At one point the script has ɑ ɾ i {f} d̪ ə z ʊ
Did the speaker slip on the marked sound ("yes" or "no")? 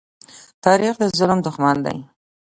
yes